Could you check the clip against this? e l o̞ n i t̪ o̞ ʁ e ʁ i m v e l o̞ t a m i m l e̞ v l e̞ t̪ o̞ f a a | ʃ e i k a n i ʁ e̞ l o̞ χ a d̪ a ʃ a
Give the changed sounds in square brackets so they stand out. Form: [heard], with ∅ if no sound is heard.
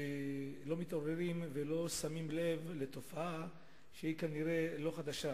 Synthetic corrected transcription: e l o̞ [m] i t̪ o̞ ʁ e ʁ i m v e l o̞ [s] a m i m l e̞ v l e̞ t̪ o̞ f a a | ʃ e i k a n i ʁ e̞ l o̞ χ a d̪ a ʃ a